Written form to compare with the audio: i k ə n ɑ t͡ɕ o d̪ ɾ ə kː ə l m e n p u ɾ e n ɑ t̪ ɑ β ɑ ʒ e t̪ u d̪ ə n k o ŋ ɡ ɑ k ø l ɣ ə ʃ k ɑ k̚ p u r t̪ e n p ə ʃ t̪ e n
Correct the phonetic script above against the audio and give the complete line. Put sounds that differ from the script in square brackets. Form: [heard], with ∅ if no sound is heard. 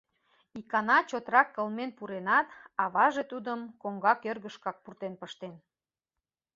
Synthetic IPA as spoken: i k [ɑ] n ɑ t͡ɕ o [t̪] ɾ [ɑ] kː ə l m e n p u ɾ e n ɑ t̪ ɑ β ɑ ʒ e t̪ u d̪ ə [m] k o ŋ ɡ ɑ k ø [r] ɣ ə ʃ k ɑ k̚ p u r t̪ e n p ə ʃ t̪ e n